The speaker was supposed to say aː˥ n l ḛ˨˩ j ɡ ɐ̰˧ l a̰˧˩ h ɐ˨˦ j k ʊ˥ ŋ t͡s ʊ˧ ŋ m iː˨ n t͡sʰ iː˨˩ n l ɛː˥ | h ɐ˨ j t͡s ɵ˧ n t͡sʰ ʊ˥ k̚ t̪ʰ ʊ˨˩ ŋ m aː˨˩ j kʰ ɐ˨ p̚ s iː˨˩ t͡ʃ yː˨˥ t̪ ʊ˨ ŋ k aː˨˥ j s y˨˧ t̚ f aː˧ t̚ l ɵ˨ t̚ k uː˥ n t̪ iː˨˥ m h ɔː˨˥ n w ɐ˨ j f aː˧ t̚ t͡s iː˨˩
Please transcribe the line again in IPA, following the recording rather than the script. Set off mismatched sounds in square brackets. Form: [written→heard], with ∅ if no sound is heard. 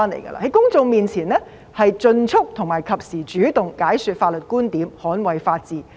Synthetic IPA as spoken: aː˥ n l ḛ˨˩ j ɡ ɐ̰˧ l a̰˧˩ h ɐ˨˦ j k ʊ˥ ŋ t͡s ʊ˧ ŋ m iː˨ n t͡sʰ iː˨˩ n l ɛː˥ | h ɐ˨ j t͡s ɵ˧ n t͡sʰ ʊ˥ k̚ t̪ʰ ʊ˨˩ ŋ m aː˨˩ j kʰ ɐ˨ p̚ s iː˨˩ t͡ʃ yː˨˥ t̪ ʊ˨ ŋ k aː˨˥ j s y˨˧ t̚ f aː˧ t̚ l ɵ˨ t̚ k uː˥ n t̪ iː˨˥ m h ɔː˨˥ n w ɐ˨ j f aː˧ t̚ t͡s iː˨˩